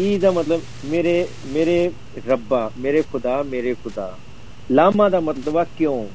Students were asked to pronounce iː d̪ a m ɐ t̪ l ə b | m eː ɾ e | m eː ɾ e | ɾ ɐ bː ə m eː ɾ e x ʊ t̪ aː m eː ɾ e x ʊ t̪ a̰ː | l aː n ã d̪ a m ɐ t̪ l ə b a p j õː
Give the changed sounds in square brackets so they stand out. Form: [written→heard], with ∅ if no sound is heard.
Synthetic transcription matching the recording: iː d̪ a m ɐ t̪ l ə b | m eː ɾ e | m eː ɾ e | ɾ ɐ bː [ə→a] m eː ɾ e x ʊ [t̪→d̪] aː m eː ɾ e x ʊ [t̪→d̪] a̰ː | l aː [n→m] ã d̪ a m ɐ t̪ l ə b a [p→k] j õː